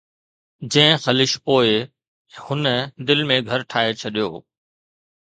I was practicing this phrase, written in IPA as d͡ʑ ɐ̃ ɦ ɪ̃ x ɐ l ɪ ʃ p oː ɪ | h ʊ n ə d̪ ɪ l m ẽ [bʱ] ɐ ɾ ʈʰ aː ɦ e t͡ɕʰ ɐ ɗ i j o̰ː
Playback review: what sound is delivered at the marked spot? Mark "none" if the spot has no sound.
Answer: ɡʱ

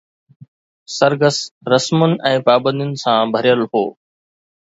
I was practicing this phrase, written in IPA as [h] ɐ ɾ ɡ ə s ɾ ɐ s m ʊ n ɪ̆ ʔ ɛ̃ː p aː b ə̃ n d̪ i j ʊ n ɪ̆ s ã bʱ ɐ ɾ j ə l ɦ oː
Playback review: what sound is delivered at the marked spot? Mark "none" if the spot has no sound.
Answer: s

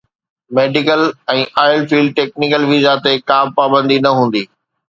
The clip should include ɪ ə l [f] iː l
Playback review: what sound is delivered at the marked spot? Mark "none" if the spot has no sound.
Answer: f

